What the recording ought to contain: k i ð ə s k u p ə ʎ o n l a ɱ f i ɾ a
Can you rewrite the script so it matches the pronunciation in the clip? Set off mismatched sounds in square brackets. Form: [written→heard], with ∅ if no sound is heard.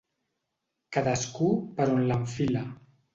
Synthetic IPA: k [i→a] ð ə s k u p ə [ʎ→ɾ] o n l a ɱ f i [ɾ→l] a

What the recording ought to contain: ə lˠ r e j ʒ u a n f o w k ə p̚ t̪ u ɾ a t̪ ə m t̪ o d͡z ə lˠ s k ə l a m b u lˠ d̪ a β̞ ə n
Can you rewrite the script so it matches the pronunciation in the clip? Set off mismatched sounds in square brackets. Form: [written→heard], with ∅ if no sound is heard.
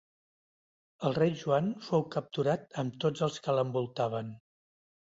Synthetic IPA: ə lˠ r e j ʒ u a n f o w k ə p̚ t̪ u ɾ a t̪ ə m t̪ o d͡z ə lˠ s k ə l [a→ə] m b u lˠ [d̪→t̪] a β̞ ə n

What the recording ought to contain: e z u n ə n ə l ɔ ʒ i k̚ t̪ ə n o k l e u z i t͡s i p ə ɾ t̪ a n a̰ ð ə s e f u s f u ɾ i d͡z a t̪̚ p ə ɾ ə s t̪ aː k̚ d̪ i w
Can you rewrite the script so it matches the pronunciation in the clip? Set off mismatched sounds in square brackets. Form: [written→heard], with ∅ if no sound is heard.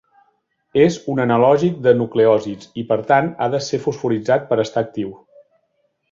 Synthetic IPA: e z u n ə n ə l ɔ ʒ i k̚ [t̪→d̪] ə n [o→u] k l e [u→ɔ] z i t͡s i p ə ɾ t̪ a n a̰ ð ə s e f u s f u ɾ i d͡z a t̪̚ p ə ɾ ə s t̪ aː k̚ [d̪→t̪] i w

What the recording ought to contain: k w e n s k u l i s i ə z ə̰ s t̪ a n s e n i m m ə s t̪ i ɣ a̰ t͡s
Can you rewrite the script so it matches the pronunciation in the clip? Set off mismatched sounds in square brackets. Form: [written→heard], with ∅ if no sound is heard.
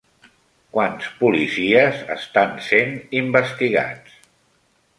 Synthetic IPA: k w [e→a] n s [k→p] u l i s i ə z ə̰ s t̪ a n s e n i m [m→b] ə s t̪ i ɣ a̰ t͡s

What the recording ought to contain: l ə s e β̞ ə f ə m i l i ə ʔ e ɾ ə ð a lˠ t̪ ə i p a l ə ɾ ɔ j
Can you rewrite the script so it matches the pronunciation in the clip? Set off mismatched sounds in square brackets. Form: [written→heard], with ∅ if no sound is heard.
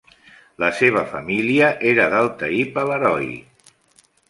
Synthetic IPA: l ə s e β̞ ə f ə m i l i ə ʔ e ɾ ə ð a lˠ t̪ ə i p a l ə ɾ ɔ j

